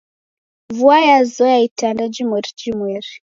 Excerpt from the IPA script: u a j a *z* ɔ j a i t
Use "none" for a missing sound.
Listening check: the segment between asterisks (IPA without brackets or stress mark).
z